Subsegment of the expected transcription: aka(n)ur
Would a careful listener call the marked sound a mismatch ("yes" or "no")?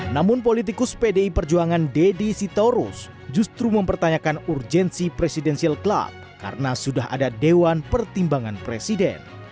no